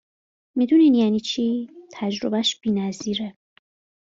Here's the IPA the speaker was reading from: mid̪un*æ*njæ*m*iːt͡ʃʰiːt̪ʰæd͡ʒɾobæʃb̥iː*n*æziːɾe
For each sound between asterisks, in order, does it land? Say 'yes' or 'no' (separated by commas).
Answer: no, no, yes